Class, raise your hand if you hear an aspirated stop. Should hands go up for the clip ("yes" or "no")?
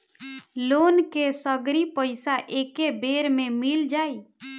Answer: no